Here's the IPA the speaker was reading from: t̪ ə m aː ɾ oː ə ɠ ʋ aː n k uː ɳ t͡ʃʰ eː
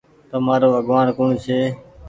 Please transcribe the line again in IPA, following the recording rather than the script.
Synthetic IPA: t̪ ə m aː ɾ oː ə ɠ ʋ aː n k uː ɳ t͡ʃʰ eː